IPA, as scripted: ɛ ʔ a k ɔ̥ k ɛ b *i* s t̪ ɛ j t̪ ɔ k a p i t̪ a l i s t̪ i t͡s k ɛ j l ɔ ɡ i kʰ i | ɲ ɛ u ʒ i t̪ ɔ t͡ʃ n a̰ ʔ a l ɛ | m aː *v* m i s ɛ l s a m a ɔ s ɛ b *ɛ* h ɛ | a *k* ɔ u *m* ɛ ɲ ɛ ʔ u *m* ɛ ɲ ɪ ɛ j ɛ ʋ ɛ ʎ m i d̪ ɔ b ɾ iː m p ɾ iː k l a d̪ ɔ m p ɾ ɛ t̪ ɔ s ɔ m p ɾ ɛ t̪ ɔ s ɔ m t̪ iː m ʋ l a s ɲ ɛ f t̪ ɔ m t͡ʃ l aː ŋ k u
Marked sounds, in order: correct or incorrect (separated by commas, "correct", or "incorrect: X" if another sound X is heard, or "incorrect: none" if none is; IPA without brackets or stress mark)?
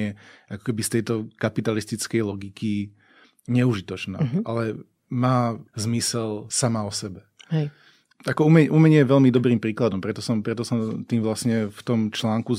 correct, incorrect: z, correct, correct, correct, correct